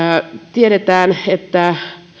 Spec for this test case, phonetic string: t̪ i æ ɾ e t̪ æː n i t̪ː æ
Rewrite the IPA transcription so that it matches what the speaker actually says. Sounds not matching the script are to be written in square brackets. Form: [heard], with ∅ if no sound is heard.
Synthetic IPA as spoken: t̪ i [e] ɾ e t̪ æː n [e] t̪ː æ

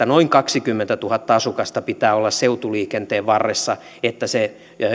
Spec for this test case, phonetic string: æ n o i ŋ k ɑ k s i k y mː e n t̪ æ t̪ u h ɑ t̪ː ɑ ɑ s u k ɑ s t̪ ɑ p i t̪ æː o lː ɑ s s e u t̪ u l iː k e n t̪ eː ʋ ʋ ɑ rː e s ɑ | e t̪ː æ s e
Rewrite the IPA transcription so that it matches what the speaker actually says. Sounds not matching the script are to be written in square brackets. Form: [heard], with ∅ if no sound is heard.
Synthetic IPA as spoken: æ n o i ŋ k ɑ k s i k y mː e n t̪ æ t̪ u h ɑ t̪ː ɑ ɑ s u k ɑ s t̪ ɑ p i t̪ æː o lː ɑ s s e u t̪ u l iː k e n t̪ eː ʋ ʋ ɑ rː e [sː] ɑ | e t̪ː æ s e

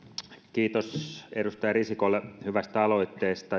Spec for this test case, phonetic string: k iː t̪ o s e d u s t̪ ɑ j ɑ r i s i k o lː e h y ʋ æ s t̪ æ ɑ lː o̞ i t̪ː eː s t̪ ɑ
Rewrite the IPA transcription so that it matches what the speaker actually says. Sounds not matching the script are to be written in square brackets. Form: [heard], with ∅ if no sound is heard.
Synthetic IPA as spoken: k iː t̪ o s e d u s t̪ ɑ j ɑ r i s i k o lː e h y ʋ æ s t̪ æ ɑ [l] o̞ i t̪ː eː s t̪ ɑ

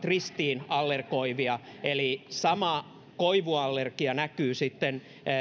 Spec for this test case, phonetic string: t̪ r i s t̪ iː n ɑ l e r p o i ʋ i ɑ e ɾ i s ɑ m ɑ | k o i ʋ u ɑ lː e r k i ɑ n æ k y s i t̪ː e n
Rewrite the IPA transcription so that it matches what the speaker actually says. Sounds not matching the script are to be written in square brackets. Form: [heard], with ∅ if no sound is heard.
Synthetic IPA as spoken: t̪ r i s t̪ iː n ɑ [lː] e r [k] o i ʋ i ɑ e [l] i s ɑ m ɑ | k o i ʋ u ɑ lː e r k i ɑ n æ k [yː] s i t̪ː e n

